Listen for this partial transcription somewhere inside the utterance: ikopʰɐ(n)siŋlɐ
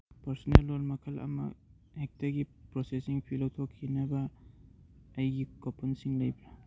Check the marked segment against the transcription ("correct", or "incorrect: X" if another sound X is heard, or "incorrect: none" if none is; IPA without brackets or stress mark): correct